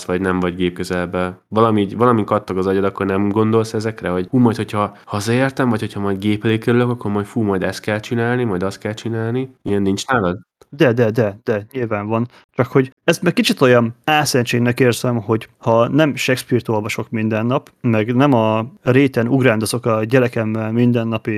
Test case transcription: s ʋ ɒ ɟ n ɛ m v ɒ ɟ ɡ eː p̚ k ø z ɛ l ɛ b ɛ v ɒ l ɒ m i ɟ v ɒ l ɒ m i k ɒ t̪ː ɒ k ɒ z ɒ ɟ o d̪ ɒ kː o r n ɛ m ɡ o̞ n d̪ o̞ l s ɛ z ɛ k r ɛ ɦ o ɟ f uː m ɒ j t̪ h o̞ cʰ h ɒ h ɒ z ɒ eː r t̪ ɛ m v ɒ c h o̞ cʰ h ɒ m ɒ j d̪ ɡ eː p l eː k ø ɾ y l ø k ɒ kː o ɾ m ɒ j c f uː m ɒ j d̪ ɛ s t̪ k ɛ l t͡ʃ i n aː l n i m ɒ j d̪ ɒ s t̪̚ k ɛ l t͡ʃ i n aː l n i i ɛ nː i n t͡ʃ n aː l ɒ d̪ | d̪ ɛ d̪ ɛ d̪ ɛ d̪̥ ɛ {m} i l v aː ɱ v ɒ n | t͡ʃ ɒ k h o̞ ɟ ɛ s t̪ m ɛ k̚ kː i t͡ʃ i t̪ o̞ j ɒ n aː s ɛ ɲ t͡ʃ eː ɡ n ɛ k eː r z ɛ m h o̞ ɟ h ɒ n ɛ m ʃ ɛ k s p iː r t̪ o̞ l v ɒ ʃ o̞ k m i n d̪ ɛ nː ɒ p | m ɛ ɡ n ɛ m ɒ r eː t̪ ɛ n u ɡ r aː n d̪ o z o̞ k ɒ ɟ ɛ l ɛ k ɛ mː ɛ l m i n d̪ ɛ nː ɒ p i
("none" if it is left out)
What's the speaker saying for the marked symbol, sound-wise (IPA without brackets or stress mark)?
ɲ